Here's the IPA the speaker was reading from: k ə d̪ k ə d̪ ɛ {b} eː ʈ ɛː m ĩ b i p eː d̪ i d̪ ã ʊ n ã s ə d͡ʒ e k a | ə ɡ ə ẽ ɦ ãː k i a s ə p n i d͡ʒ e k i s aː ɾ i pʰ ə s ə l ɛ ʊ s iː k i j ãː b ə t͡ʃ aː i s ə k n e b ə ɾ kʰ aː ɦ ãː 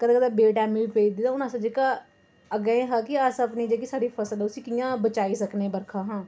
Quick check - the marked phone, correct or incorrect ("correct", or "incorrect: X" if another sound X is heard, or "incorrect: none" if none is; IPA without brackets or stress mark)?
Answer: correct